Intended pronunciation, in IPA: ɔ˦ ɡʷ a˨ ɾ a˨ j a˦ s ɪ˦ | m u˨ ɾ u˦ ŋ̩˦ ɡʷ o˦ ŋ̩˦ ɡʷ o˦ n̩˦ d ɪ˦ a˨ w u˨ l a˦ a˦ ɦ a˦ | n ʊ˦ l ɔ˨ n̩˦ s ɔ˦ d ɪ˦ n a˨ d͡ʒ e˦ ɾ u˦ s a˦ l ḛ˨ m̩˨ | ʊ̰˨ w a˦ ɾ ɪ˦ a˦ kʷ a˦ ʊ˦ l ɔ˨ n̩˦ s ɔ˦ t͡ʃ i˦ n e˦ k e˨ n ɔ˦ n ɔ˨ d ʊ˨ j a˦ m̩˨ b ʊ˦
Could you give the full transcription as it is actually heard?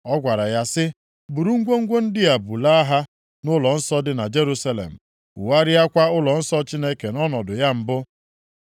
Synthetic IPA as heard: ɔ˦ ɡʷ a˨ ɾ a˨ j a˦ s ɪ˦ | b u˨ ɾ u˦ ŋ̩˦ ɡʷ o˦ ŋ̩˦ ɡʷ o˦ n̩˦ d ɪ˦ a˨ b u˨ l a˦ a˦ ɦ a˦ | n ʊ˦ l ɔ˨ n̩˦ s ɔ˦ d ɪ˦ n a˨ d͡ʒ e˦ ɾ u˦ s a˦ l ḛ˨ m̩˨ | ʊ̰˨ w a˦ ɾ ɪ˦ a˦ kʷ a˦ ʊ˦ l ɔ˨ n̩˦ s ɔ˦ t͡ʃ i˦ n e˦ k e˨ n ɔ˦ n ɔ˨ d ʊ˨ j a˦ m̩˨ b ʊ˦